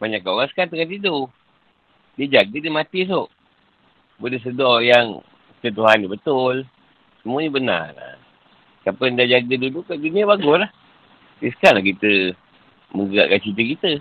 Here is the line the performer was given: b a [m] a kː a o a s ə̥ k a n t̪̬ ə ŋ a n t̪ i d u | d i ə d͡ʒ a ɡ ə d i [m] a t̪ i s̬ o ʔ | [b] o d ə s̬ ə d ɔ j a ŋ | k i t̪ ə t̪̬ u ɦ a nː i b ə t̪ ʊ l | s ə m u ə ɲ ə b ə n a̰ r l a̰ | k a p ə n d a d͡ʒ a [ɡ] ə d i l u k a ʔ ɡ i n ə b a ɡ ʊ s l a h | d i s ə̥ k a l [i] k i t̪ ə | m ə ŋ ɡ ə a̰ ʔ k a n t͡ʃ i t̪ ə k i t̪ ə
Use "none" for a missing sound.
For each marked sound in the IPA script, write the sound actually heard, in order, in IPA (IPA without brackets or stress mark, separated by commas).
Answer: ɲ, m, b, ɡ, a